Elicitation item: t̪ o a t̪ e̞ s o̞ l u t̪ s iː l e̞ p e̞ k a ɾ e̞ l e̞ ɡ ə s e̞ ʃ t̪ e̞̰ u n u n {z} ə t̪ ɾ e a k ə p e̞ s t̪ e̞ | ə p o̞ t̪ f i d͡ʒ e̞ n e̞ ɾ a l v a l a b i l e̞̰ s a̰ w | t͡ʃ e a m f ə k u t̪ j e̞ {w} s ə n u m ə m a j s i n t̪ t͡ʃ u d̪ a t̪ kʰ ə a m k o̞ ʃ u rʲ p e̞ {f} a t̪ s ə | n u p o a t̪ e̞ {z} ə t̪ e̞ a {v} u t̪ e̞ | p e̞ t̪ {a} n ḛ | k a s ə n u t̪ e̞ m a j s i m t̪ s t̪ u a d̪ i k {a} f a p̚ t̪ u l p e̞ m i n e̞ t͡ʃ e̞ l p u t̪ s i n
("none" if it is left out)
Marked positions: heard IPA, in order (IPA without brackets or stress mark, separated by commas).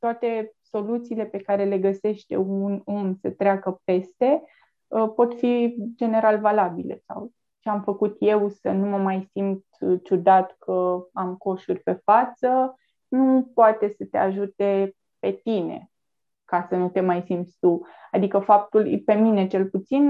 s, w, f, s, ʒ, i, ə